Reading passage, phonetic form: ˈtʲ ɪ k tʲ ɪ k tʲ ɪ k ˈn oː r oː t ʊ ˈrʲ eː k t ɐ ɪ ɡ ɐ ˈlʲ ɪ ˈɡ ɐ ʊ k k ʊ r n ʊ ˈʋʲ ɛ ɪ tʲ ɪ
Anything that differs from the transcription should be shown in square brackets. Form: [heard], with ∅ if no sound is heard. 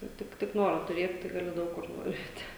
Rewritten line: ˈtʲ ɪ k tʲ ɪ k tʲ ɪ k ˈn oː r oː t ʊ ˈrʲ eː [t] t ɐ ɪ ɡ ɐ ˈlʲ ɪ [ˈd] ɐ ʊ k k ʊ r n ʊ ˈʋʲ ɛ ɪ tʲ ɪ